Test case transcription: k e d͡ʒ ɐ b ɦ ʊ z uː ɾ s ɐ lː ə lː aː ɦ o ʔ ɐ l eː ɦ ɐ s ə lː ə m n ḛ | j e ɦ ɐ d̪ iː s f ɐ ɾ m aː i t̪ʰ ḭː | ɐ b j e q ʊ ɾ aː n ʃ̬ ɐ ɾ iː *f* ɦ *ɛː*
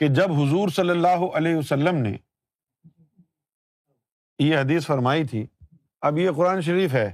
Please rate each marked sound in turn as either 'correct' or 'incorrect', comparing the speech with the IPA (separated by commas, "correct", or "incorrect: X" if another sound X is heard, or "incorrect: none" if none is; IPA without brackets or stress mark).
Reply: correct, correct